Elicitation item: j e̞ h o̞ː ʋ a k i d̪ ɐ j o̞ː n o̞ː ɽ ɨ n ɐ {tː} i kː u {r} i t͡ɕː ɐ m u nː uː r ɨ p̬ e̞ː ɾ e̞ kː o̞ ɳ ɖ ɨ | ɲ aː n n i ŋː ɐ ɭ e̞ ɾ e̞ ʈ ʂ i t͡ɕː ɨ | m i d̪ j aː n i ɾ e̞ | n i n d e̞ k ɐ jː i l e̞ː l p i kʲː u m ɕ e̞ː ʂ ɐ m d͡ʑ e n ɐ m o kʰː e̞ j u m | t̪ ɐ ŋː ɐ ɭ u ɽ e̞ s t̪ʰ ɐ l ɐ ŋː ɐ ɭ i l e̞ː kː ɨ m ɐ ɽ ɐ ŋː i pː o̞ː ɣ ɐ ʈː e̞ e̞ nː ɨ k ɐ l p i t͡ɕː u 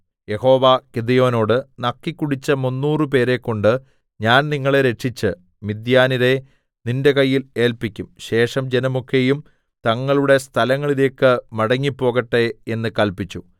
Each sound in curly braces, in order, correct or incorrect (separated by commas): incorrect, incorrect